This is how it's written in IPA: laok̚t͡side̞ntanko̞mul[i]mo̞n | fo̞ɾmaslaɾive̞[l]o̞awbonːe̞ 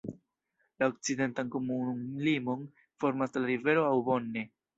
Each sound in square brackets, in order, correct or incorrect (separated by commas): correct, incorrect